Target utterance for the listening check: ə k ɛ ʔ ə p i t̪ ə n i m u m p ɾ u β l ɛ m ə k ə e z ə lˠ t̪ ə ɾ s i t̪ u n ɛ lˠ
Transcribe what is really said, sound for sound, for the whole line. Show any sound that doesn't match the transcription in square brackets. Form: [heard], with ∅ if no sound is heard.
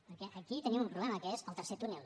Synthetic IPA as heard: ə k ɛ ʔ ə [k] i t̪ ə n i m u m p ɾ u β l ɛ m ə k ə e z ə lˠ t̪ ə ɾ s [e] t̪ u n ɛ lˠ